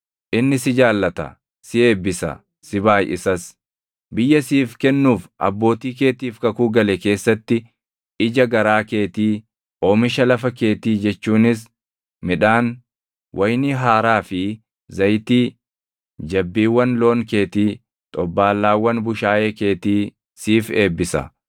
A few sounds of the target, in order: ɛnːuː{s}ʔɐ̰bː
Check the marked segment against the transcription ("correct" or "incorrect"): incorrect